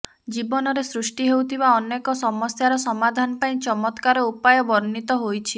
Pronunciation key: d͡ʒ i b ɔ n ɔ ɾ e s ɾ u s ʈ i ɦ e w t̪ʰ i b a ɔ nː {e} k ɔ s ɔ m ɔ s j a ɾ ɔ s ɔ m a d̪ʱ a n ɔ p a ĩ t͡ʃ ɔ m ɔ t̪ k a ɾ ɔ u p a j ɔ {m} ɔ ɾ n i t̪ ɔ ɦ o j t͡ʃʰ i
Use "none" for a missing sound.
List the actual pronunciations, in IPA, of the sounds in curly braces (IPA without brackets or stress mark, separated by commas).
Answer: e, b